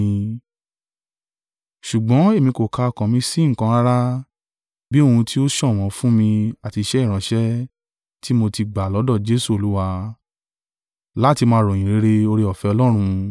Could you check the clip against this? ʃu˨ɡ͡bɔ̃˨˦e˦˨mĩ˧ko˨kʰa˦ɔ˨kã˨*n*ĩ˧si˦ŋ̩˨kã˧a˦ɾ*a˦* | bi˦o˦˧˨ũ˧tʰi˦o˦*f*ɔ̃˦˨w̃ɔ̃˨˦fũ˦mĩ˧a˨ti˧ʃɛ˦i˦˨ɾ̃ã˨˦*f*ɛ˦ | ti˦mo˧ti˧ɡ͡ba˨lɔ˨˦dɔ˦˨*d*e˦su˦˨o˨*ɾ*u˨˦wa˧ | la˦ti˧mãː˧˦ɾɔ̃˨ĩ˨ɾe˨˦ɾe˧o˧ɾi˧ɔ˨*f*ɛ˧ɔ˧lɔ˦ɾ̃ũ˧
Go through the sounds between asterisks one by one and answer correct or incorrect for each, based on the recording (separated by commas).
incorrect, correct, incorrect, incorrect, incorrect, incorrect, correct